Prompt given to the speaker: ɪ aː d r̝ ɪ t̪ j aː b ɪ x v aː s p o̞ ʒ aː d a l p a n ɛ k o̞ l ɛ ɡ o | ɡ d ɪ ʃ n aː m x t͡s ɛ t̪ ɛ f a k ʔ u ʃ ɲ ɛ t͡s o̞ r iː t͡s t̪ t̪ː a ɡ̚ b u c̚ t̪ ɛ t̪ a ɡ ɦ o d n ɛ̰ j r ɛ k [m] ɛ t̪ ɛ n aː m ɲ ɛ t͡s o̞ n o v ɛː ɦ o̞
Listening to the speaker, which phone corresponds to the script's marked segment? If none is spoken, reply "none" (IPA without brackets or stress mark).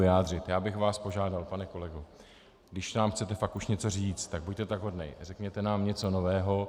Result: ɲ